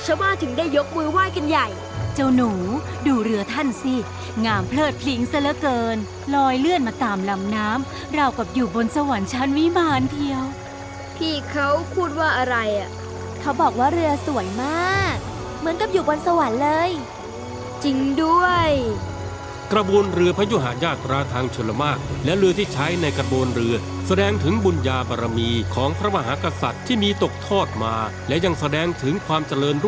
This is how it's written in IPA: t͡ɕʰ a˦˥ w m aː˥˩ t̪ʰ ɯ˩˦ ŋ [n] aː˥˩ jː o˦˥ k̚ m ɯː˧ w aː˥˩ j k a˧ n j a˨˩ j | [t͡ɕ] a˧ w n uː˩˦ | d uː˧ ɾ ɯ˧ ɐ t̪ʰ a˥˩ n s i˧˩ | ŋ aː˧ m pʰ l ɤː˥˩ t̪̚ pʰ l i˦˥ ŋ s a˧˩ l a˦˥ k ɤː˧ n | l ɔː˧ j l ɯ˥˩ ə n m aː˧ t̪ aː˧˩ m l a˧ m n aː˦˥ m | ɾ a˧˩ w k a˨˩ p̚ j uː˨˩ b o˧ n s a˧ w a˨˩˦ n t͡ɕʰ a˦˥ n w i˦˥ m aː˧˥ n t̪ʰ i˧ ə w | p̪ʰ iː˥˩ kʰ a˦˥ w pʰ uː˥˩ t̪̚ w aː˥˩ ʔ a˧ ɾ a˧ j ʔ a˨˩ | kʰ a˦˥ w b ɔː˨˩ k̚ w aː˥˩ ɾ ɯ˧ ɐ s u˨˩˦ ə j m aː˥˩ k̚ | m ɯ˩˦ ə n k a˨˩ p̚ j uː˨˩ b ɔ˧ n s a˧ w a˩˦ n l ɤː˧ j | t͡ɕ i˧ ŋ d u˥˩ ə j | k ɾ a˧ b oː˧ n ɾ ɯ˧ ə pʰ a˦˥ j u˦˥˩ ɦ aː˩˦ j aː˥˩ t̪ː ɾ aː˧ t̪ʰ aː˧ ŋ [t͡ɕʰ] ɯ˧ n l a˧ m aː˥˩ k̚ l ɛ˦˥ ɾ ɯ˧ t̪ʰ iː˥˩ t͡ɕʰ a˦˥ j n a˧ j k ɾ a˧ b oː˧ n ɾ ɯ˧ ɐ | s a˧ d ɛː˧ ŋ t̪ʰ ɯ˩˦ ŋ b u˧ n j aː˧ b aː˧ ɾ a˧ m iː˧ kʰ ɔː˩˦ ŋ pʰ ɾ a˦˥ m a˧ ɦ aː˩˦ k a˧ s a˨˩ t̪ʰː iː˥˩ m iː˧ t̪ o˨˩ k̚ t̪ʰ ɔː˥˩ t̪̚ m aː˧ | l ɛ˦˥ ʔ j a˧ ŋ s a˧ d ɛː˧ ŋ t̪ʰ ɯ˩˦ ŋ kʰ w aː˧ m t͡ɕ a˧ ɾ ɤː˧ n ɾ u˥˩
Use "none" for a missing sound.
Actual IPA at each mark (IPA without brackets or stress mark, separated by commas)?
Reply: d, t͡ɕ, t͡ɕʰ